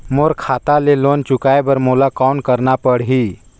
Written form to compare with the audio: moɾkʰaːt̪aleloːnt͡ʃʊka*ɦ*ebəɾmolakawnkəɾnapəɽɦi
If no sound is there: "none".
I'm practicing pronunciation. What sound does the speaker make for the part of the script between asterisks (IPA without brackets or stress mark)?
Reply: none